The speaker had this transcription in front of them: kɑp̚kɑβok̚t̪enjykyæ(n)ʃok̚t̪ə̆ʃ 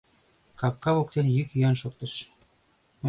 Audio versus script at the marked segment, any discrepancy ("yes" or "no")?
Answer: no